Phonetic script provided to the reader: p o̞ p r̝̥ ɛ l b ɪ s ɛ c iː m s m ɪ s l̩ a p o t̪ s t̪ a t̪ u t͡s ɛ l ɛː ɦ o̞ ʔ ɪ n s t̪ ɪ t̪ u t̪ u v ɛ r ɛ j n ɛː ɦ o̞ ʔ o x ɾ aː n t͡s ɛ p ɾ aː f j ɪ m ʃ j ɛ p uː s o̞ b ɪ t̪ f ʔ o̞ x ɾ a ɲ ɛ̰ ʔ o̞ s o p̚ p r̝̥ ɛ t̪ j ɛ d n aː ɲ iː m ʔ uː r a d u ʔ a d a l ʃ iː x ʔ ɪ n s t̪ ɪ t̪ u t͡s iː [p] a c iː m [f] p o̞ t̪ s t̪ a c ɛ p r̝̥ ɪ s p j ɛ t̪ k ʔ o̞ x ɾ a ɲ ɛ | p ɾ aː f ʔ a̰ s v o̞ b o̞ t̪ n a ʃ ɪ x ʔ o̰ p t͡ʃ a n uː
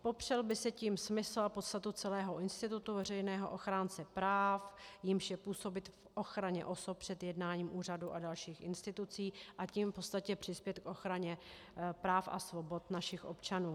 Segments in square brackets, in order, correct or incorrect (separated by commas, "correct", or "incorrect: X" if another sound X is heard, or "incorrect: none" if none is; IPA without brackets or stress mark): incorrect: ʔ, correct